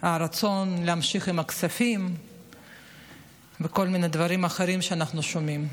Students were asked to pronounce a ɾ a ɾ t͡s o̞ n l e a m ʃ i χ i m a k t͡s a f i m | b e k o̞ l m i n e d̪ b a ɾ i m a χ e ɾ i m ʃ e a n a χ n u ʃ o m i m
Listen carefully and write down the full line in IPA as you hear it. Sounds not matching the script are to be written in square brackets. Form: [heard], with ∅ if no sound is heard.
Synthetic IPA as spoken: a ɾ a [∅] t͡s o̞ n l e a m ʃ i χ i m a k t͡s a f i m | [v] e k o̞ l m i n e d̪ [v] a ɾ i m a χ e ɾ i m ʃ e a n a χ n u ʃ o m i m